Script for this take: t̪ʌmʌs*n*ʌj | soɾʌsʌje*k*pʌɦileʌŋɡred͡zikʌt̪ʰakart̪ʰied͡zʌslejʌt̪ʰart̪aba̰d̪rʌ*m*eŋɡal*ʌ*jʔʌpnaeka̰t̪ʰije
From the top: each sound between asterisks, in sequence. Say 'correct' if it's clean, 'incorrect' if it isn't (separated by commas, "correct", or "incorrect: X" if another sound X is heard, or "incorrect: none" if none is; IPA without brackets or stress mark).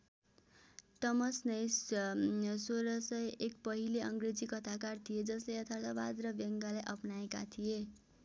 correct, correct, incorrect: b, incorrect: a